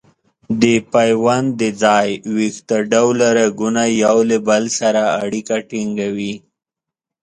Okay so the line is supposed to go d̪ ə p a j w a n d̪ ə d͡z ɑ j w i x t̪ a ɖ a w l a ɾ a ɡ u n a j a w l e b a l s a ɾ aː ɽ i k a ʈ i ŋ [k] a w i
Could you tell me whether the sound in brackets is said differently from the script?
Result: yes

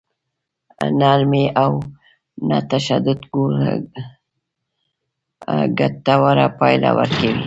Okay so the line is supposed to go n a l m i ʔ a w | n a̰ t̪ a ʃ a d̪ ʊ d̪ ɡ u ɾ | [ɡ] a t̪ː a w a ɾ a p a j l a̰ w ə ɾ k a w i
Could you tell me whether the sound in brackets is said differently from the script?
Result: no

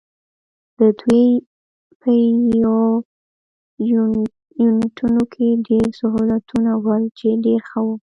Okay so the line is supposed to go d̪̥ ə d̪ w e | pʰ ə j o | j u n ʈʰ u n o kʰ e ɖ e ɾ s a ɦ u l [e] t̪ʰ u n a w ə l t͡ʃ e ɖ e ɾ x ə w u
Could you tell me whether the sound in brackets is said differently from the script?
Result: yes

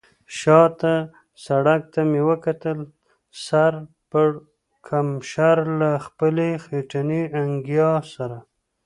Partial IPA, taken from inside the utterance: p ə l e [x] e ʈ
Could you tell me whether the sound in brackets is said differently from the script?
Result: no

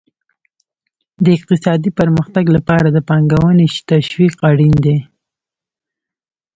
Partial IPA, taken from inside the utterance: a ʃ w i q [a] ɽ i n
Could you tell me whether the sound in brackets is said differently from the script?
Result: no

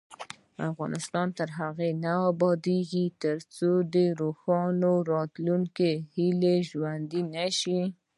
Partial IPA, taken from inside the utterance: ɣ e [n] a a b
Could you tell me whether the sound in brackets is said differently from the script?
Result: no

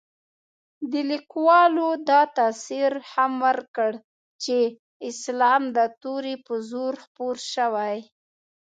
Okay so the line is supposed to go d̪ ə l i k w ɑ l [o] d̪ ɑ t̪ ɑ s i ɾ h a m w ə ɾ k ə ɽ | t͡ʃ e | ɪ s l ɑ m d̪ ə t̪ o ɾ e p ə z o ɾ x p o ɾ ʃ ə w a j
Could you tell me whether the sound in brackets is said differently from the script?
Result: no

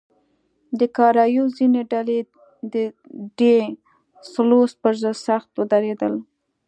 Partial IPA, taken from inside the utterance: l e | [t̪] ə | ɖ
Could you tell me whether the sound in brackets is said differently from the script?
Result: yes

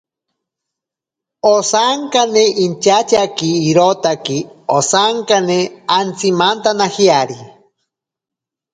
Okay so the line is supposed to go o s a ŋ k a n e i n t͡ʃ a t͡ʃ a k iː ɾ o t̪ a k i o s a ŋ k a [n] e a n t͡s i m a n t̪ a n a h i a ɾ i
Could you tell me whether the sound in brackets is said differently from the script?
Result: no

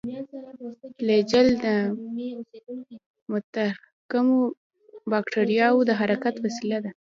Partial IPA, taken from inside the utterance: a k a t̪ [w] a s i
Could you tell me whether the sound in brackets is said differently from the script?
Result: no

